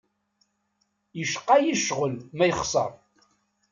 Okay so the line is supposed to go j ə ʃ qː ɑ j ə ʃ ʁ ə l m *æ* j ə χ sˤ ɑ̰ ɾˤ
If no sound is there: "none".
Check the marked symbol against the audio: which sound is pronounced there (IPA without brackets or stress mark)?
æ